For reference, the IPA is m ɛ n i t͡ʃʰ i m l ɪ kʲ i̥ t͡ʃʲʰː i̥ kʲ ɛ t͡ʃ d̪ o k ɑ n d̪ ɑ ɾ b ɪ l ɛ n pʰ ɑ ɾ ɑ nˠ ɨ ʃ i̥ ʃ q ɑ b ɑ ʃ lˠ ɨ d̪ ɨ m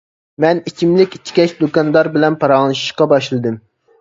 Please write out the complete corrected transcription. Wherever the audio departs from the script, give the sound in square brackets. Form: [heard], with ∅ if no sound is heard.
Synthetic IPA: m ɛ n i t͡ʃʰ i m l ɪ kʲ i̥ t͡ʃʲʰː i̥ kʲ ɛ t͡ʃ d̪ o k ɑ n d̪ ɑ ɾ b ɪ l ɛ n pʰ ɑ ɾ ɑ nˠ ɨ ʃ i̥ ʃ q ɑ b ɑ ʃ lˠ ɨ d̪ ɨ m